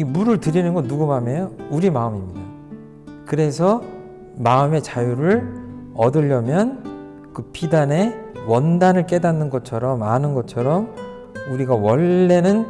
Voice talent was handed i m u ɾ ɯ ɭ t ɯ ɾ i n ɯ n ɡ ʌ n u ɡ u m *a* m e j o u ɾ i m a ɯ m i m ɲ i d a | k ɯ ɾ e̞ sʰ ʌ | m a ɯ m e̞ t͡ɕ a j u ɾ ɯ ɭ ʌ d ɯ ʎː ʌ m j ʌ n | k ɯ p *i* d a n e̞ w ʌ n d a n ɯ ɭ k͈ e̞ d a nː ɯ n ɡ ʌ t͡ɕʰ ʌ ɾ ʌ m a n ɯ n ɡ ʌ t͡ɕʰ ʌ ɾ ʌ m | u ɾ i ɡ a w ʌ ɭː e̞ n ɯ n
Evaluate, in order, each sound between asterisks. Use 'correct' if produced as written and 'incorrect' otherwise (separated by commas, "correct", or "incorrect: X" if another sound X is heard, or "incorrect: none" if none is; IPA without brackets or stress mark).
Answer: correct, correct